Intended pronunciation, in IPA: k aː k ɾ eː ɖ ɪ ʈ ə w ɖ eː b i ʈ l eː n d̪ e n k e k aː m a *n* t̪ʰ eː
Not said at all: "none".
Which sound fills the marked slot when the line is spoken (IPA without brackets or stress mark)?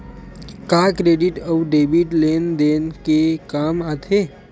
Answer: none